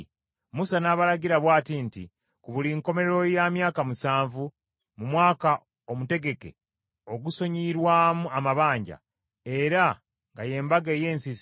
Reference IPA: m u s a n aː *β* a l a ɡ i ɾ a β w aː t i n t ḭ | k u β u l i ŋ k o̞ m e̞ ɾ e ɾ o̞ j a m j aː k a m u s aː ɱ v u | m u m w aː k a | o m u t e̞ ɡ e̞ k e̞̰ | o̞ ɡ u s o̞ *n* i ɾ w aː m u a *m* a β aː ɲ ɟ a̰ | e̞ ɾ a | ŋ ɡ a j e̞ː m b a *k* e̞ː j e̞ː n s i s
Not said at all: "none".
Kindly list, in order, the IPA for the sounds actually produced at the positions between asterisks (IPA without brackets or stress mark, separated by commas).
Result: β, ɲ, m, ɡ